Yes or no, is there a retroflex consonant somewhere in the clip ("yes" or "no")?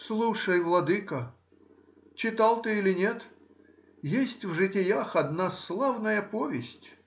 yes